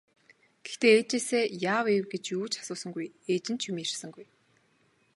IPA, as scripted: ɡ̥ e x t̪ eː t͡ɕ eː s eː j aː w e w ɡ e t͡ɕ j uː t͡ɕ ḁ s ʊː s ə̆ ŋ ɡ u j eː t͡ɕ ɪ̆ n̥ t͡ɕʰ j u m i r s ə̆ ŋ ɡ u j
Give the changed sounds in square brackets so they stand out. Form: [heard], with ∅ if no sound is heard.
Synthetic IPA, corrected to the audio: ɡ̥ e x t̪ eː t͡ɕ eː s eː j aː w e w ɡ e t͡ɕ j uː t͡ɕ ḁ s ʊː s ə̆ ŋ ɡ u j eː t͡ɕ ɪ̆ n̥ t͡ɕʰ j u m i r s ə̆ ŋ ɡ u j